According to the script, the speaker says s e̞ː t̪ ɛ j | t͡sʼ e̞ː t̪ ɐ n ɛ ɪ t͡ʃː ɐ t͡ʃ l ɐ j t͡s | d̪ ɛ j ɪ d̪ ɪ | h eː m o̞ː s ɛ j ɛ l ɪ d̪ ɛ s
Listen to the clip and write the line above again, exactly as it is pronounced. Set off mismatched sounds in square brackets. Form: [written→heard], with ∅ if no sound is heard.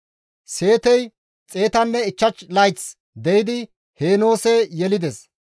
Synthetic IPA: s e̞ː t̪ ɛ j | t͡sʼ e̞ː t̪ ɐ [n→nː] ɛ ɪ t͡ʃː ɐ t͡ʃ l ɐ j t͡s | d̪ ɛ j ɪ d̪ ɪ | h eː [m→n] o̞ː s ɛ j ɛ l ɪ d̪ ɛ s